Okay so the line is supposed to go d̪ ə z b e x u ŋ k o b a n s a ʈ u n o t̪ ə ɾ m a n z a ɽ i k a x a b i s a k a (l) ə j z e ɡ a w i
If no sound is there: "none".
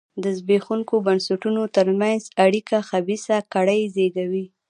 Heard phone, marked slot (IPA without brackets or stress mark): ɽ